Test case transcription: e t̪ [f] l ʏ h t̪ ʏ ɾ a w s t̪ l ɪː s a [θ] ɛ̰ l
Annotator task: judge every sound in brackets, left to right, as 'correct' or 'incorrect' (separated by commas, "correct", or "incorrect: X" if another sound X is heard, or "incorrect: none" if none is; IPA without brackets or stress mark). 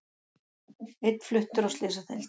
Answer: correct, correct